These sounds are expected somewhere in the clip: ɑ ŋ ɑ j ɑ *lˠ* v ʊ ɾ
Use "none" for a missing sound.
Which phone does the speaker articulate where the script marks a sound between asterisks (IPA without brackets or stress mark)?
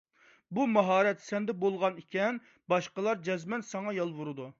lˠ